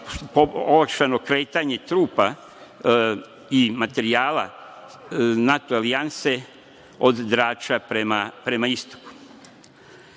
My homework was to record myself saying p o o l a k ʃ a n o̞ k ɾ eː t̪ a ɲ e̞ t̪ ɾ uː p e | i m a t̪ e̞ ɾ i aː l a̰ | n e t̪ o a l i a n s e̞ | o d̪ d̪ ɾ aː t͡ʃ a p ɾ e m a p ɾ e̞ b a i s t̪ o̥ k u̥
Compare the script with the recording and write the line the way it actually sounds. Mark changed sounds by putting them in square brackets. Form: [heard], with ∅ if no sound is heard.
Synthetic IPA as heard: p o o l a k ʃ a n o̞ k ɾ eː t̪ a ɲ e̞ t̪ ɾ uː p [a] | i m a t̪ e̞ ɾ i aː l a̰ | n [a] t̪ o a l i a n s e̞ | o d̪ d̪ ɾ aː t͡ʃ a p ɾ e m a p ɾ e̞ [m] a i s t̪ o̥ k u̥